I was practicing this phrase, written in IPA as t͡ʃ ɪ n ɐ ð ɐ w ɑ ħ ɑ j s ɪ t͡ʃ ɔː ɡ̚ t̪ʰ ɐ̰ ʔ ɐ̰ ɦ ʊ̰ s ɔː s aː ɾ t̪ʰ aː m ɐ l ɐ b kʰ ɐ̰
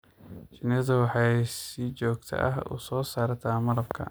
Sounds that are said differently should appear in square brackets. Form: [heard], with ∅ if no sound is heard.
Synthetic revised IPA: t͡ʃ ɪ n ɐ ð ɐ w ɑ ħ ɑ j s ɪ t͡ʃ ɔː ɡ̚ t̪ʰ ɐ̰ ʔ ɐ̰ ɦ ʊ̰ s ɔː s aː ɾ t̪ʰ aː m ɐ l ɐ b kʰ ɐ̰